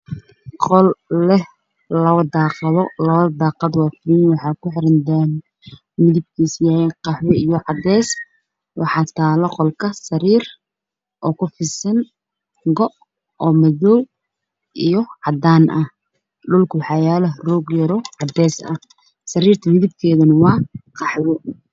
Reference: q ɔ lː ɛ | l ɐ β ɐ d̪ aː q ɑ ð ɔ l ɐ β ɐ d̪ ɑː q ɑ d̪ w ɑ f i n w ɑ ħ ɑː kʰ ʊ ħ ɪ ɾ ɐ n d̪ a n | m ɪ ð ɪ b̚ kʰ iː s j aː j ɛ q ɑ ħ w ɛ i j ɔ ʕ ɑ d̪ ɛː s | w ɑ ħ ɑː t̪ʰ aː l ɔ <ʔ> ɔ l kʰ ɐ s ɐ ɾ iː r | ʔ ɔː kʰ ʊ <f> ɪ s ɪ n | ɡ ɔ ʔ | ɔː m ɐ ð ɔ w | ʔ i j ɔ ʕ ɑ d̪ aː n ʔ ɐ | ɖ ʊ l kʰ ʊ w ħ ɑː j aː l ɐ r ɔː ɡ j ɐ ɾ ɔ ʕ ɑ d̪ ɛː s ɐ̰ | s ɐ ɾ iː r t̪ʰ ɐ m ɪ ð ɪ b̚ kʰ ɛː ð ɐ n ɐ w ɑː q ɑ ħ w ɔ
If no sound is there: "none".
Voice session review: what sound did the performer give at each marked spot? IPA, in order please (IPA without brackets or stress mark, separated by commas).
q, f